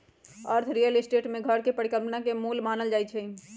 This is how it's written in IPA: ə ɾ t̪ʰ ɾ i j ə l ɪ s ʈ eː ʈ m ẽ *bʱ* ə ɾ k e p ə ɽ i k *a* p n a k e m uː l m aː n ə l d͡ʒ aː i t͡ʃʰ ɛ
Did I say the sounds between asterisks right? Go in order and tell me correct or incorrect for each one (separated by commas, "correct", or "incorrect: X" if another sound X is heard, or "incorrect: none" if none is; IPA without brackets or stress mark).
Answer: incorrect: ɡʱ, incorrect: ə